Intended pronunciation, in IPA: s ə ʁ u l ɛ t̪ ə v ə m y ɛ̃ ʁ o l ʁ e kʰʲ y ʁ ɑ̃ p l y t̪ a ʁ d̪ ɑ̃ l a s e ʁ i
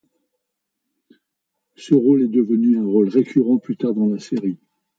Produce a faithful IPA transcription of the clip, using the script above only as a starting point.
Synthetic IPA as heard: s ə ʁ o l ɛ d̪ ə v ə n y ɛ̃ ʁ o l ʁ e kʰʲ y ʁ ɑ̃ p l y t̪ a ʁ d̪ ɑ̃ l a s e ʁ i